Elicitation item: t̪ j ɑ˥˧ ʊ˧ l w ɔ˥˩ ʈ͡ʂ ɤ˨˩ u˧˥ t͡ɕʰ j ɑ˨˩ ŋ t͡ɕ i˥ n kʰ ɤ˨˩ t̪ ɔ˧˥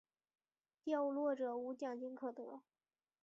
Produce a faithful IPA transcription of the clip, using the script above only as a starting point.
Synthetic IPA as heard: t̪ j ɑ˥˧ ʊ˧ l w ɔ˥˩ ʈ͡ʂ ɤ˨˩ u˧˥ t͡ɕ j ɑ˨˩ ŋ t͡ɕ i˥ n kʰ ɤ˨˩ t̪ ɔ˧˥